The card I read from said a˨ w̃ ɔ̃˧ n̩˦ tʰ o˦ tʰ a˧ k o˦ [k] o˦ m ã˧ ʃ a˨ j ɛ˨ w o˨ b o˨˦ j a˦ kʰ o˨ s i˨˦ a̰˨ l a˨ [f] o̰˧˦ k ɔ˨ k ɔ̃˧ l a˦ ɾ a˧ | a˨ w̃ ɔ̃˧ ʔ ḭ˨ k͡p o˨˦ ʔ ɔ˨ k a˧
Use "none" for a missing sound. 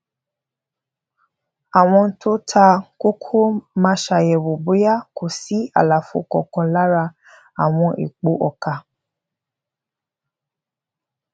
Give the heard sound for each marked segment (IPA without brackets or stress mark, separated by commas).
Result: kʰ, f